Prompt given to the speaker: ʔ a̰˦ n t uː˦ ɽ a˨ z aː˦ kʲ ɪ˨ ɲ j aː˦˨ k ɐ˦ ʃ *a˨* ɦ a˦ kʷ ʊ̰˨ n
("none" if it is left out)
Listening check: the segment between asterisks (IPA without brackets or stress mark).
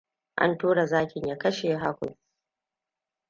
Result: e˨